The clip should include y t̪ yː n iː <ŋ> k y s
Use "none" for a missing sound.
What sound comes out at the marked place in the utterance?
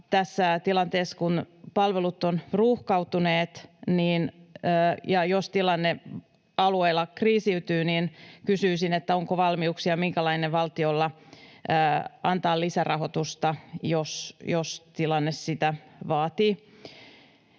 n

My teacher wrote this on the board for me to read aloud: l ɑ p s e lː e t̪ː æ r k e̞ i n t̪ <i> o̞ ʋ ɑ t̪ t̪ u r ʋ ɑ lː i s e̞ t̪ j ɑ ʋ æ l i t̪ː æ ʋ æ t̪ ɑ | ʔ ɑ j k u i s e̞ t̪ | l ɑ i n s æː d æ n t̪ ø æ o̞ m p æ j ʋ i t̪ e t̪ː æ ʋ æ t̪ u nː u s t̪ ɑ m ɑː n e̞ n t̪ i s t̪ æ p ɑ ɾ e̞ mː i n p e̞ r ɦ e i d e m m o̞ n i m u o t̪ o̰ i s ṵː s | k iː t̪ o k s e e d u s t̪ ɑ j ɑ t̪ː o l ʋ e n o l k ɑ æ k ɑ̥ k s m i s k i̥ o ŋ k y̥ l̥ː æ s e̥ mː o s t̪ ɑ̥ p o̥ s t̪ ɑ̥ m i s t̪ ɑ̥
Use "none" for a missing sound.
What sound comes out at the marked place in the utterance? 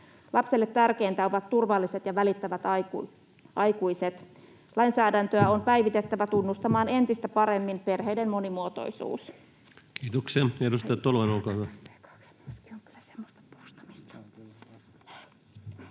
æ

